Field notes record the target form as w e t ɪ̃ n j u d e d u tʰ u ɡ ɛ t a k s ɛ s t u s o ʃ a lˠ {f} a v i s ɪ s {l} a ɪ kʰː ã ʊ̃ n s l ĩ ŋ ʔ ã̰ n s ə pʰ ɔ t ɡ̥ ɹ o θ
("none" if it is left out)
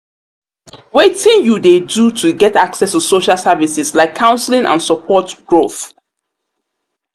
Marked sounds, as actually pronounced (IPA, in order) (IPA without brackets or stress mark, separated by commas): s, l